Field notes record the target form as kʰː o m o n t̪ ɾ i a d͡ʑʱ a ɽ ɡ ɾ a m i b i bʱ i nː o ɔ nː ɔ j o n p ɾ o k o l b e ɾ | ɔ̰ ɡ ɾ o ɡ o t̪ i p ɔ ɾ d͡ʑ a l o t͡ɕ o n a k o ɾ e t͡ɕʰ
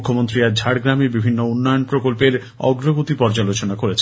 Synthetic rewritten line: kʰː o m o n t̪ ɾ i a d͡ʑʱ a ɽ ɡ ɾ a m i b i bʱ i nː o u nː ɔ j o n p ɾ o k o l p e ɾ | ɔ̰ ɡ ɾ o ɡ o t̪ i p ɔ ɾ d͡ʑ a l o t͡ɕ o n a k o ɾ e t͡ɕʰ